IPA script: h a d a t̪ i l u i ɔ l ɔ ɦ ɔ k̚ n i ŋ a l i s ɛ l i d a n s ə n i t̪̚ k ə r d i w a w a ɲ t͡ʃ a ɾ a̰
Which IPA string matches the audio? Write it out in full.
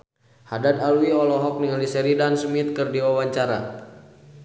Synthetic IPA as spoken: h a d a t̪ a l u i ɔ l ɔ ɦ ɔ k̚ n i ŋ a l i s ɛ ɾ i d a n s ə m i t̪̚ k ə r d i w a w a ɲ t͡ʃ a ɾ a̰